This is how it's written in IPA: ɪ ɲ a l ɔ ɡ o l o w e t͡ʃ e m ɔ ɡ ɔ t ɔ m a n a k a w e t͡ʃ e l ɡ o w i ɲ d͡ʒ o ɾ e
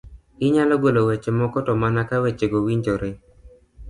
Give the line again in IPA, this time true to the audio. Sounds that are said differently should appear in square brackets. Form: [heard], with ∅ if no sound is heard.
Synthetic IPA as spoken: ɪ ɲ a l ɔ ɡ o l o w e t͡ʃ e m ɔ [k] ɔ t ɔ m a n a k a w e t͡ʃ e [∅] ɡ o w i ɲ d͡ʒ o ɾ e